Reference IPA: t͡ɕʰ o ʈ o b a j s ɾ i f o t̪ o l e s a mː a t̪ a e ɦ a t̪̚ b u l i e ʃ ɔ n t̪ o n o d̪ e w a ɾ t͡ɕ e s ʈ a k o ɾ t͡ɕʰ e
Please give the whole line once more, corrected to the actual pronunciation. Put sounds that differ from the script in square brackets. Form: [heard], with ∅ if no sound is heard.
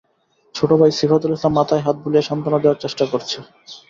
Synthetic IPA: t͡ɕʰ o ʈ o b a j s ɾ i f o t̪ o l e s a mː a t̪ a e ɦ a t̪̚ b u l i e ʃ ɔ n t̪ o n o d̪ e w a ɾ t͡ɕ e [ʃ] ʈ a k o ɾ t͡ɕʰ e